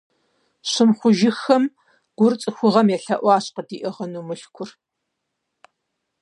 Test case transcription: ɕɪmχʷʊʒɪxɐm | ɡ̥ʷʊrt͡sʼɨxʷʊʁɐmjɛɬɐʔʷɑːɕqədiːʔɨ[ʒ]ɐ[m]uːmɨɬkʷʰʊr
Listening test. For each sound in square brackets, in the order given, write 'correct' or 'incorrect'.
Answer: incorrect, incorrect

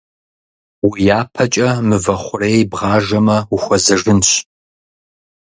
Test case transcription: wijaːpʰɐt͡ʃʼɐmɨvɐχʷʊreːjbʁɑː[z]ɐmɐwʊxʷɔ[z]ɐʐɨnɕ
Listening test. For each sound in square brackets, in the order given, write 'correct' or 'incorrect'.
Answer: incorrect, correct

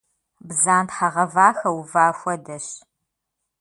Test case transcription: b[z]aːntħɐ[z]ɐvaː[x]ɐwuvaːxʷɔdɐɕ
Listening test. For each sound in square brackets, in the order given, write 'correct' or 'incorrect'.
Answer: correct, incorrect, correct

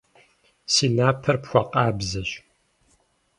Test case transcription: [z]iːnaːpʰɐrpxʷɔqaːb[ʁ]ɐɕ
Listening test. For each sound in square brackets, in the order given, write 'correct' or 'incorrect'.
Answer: incorrect, incorrect

